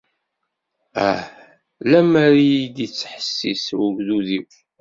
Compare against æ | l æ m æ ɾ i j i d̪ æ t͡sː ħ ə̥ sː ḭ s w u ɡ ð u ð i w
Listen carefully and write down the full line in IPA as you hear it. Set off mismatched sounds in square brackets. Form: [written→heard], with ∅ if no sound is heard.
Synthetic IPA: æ | l æ m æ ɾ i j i d̪ [æ→i] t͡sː ħ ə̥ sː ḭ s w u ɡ ð u ð i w